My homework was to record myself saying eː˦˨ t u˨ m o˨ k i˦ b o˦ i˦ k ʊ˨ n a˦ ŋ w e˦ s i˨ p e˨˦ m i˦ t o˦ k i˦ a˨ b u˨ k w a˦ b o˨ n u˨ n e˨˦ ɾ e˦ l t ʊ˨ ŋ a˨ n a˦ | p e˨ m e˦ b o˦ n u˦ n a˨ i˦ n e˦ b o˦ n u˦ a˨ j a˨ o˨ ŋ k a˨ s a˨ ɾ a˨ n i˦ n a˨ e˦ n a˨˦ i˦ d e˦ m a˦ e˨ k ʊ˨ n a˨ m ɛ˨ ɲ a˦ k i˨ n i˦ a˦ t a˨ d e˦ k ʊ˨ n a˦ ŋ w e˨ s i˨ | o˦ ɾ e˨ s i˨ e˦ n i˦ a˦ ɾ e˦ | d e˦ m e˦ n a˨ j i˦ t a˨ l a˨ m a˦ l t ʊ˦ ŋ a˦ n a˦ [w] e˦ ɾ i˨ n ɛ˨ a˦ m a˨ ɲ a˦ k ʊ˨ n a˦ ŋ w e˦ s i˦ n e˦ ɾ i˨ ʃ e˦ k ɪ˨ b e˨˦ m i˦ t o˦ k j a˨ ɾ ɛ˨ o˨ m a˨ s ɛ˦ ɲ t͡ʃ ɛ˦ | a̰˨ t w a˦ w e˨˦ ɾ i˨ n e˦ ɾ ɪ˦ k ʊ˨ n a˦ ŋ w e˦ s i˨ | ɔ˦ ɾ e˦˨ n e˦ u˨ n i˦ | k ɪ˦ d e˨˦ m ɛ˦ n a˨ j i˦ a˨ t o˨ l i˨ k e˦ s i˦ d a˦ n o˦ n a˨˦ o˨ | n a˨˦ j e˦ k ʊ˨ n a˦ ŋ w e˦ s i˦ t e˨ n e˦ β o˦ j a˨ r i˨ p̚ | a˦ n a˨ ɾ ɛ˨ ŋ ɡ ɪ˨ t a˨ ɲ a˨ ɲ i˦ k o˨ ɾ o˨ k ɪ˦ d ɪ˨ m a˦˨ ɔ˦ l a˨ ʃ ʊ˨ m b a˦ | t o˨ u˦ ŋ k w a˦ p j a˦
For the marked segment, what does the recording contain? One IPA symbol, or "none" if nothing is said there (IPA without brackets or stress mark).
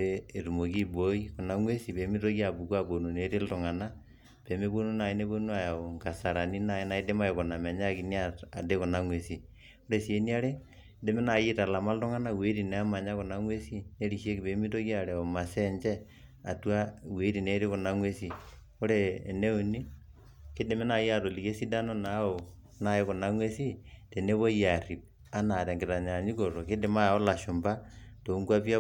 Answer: w